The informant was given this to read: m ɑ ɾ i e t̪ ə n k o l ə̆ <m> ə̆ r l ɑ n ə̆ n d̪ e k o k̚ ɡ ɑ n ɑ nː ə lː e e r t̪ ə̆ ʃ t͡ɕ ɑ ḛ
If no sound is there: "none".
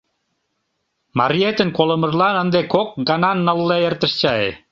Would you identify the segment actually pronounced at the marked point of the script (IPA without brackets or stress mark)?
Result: m